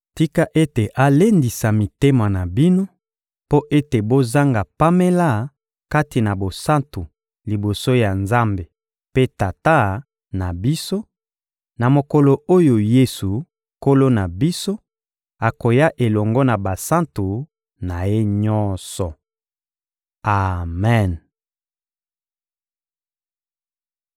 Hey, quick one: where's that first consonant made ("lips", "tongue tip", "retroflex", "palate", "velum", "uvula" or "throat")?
tongue tip